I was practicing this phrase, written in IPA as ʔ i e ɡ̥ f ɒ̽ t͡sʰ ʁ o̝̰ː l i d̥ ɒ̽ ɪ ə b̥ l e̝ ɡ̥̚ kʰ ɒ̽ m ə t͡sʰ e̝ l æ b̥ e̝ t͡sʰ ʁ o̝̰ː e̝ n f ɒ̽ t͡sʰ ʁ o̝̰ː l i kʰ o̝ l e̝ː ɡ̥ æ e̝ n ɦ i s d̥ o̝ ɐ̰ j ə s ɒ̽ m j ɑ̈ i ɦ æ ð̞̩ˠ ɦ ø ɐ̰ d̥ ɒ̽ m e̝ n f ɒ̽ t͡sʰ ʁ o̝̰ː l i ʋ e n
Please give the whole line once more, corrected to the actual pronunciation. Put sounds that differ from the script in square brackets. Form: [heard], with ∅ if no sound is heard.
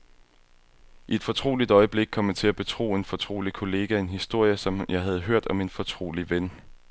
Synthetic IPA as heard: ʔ i e [d̥] f ɒ̽ t͡sʰ ʁ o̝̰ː l i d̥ ɒ̽ ɪ ə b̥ l e̝ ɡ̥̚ kʰ ɒ̽ m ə t͡sʰ e̝ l æ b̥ e̝ t͡sʰ ʁ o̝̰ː e̝ n f ɒ̽ t͡sʰ ʁ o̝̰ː l i kʰ o̝ l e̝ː ɡ̥ æ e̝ n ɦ i s d̥ o̝ ɐ̰ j ə s ɒ̽ m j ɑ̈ [ɪ] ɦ æ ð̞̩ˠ ɦ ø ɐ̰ d̥ ɒ̽ m e̝ n f ɒ̽ t͡sʰ ʁ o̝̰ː l i ʋ e n